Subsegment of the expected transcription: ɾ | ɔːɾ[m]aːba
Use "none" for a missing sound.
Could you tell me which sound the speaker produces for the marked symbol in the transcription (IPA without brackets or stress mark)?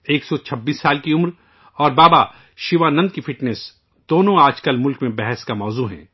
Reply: b